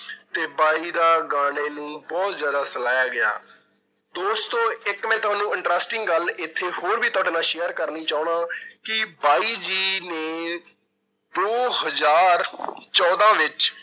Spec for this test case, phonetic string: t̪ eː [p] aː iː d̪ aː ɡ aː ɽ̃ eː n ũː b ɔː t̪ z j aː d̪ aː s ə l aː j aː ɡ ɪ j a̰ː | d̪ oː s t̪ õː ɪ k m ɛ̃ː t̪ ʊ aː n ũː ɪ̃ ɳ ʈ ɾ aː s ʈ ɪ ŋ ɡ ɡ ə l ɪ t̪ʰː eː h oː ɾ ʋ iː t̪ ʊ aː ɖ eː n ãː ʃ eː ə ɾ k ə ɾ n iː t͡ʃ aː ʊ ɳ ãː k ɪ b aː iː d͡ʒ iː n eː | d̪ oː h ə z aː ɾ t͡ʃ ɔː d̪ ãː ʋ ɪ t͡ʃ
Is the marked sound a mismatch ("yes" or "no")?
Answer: yes